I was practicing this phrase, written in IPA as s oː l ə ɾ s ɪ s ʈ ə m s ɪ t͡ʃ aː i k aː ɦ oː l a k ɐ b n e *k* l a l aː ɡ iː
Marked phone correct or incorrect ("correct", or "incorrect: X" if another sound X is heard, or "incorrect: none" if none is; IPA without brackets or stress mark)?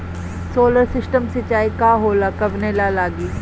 incorrect: none